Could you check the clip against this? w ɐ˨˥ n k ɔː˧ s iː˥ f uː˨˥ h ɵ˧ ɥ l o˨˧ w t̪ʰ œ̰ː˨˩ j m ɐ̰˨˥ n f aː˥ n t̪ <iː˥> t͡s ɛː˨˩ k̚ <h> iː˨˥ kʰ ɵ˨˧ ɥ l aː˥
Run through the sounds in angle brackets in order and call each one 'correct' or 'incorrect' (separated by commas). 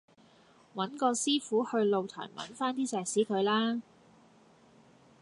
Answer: correct, incorrect